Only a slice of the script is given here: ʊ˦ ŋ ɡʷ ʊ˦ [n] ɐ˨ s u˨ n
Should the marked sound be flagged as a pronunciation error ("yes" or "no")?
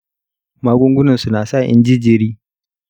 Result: no